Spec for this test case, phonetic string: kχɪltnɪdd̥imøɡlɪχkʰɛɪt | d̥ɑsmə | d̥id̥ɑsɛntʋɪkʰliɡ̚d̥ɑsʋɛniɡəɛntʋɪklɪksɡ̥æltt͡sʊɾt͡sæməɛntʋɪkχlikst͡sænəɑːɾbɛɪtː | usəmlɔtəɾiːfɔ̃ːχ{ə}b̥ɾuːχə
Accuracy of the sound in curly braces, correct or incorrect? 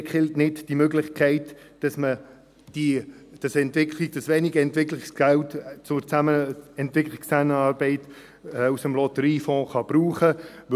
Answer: incorrect